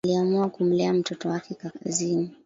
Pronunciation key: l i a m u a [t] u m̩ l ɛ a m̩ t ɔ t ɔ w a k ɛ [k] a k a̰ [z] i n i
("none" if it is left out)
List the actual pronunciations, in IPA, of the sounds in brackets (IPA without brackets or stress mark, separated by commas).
k, k, z